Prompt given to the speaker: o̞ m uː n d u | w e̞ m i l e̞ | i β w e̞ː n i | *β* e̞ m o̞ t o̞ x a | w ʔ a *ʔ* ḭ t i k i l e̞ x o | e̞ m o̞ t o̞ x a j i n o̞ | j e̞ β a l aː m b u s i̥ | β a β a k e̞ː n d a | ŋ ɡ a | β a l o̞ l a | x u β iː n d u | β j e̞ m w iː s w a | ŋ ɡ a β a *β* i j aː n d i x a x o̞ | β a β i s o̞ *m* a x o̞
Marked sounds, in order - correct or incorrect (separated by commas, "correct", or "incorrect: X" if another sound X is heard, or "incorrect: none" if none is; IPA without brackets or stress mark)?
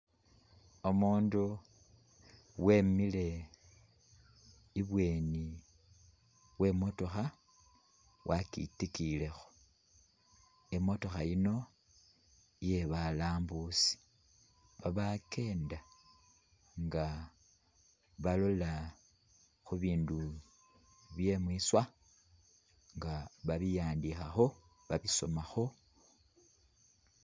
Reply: incorrect: w, incorrect: k, correct, correct